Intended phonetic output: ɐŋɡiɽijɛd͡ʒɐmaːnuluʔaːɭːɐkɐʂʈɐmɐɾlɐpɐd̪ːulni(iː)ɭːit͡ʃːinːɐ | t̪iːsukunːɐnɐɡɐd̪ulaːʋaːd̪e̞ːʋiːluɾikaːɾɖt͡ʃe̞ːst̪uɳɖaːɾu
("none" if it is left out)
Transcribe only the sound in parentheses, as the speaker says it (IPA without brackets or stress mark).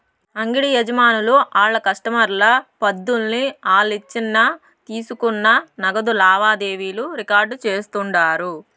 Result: aː